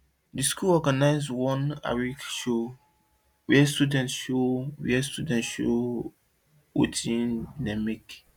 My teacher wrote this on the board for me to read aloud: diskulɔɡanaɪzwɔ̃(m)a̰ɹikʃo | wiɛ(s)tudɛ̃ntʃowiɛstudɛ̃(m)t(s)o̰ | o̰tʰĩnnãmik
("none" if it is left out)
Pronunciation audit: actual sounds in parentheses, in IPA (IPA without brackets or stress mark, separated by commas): n, s, n, ʃ